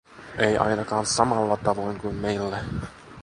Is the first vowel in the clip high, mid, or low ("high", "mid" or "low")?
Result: mid